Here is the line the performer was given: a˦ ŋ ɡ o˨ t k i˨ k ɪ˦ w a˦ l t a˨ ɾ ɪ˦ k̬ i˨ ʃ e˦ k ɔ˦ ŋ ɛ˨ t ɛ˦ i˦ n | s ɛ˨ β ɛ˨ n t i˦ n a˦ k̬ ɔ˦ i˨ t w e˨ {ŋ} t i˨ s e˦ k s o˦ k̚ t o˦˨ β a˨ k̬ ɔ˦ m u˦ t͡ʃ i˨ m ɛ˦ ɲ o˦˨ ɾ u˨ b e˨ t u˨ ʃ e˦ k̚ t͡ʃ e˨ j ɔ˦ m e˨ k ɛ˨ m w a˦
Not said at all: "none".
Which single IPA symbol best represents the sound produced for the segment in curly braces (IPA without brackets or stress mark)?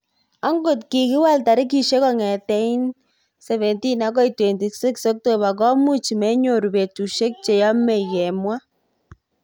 n